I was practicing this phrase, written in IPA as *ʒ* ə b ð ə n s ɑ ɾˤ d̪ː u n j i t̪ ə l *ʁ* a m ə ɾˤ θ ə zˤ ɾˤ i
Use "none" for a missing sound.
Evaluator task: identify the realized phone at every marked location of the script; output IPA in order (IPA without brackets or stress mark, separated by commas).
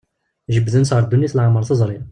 ʒ, ʕ